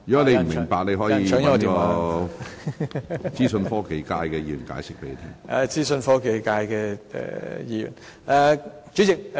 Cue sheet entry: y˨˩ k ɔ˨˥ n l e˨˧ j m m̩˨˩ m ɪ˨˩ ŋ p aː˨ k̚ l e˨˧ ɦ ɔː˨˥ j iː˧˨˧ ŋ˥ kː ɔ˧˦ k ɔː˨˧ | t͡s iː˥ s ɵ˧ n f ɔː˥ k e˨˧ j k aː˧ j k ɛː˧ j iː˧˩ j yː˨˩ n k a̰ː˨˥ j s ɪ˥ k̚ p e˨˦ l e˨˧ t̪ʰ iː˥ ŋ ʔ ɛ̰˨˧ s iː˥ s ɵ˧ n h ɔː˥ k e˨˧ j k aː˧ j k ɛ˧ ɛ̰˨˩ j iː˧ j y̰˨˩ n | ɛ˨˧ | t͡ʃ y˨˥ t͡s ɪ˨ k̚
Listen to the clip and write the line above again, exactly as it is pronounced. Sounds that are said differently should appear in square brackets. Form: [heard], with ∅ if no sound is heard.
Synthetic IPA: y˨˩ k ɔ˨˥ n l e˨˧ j m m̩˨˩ m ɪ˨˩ ŋ p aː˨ k̚ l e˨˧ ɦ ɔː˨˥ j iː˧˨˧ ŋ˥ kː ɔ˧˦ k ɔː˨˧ | t͡s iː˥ s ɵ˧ n f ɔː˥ k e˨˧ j k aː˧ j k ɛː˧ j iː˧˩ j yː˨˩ n k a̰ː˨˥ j s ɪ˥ k̚ p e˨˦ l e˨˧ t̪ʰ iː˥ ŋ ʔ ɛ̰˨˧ [t͡s] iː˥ s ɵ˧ n [f] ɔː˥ k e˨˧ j k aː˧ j k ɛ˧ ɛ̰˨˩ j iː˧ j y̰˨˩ n | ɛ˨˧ | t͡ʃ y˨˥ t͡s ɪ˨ k̚